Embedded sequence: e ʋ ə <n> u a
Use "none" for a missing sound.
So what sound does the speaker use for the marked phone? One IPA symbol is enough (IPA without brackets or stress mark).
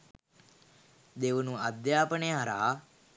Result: n